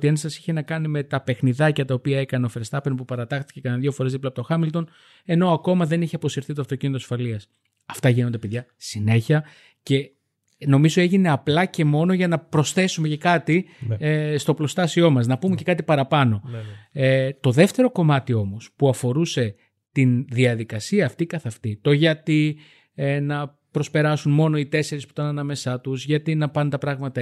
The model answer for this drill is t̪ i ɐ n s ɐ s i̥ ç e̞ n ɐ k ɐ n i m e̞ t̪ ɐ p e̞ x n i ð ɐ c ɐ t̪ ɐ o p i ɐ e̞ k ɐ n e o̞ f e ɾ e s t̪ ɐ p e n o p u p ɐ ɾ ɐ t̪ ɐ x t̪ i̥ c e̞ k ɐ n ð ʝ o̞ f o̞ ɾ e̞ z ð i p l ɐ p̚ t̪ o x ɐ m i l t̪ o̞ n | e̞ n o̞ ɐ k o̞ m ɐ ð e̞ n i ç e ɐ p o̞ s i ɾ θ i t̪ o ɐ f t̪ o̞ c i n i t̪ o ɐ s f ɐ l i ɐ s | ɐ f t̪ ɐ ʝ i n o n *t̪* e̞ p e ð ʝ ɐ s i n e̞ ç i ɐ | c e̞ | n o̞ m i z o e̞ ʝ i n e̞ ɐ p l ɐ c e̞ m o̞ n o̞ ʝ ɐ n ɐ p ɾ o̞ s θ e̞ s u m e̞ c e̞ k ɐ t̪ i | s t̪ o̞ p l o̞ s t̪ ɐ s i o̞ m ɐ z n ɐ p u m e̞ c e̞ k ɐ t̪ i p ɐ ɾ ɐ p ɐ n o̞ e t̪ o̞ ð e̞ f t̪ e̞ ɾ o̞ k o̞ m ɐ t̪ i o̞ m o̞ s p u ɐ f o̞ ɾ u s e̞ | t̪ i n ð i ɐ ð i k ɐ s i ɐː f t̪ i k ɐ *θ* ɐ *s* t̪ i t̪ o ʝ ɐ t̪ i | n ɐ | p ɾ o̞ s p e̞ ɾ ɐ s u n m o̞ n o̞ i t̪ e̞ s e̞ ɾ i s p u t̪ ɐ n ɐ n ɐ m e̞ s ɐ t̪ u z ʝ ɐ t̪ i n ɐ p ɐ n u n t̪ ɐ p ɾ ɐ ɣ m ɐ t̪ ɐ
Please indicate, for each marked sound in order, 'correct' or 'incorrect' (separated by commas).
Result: incorrect, correct, incorrect